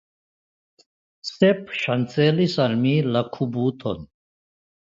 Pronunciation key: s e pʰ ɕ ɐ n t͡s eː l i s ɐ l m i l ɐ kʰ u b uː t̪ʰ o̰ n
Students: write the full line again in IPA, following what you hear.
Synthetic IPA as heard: s e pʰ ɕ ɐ n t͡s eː l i s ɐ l m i l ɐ kʰ u b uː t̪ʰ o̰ n